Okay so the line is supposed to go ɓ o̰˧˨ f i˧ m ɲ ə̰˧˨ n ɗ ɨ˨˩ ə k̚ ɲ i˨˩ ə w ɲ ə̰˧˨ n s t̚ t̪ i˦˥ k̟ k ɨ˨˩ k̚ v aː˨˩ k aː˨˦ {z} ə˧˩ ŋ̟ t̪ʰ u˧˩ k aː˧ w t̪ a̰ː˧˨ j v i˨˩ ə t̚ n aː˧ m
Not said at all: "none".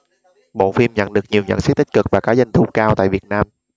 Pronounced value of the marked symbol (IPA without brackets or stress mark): z